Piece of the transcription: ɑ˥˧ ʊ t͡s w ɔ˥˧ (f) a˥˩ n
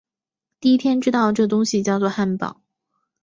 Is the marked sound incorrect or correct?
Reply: incorrect: x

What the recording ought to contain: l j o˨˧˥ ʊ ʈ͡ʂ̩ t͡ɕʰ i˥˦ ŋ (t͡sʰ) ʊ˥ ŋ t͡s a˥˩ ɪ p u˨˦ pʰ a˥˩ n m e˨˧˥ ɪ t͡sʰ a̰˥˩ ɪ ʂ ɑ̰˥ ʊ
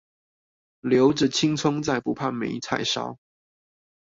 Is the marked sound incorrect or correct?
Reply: correct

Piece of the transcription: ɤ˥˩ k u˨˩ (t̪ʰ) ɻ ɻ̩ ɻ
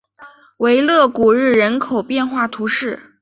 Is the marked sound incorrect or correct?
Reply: incorrect: none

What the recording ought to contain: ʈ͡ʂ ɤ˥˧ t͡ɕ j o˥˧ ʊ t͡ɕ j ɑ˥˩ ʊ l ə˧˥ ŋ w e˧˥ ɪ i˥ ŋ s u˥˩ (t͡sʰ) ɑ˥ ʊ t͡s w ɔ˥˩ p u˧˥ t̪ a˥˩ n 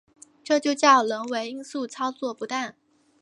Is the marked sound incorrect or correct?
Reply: correct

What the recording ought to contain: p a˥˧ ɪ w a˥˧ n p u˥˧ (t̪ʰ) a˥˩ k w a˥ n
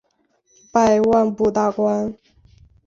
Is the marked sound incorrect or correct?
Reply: incorrect: t̪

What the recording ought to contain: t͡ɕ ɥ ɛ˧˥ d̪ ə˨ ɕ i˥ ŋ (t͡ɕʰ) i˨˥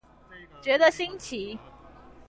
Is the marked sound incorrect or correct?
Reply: correct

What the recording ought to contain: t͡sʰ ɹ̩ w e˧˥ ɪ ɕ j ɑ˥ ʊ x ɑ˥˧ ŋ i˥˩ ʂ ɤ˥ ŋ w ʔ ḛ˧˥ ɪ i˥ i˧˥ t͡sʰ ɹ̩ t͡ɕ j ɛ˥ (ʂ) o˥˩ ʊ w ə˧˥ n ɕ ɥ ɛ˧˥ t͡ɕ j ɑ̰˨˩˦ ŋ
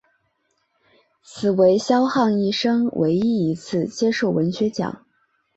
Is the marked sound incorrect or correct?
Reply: correct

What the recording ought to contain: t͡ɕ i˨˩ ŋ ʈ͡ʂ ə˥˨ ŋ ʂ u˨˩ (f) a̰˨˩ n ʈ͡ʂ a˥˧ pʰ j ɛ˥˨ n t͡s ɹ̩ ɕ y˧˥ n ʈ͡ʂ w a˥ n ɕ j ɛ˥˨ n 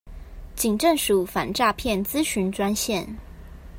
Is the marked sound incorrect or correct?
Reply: correct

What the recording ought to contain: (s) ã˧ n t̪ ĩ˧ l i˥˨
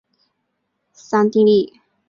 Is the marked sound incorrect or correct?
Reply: correct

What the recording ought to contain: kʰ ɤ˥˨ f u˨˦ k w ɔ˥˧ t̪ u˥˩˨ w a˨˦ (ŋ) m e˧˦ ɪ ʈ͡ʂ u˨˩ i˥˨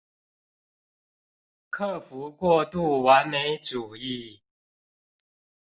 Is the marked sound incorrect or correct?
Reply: incorrect: n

